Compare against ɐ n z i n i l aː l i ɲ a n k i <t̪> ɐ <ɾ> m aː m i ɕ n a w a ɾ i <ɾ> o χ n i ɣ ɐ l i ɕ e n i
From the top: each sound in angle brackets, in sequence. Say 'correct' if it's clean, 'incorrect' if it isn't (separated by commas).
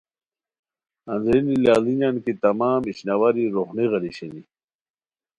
correct, incorrect, correct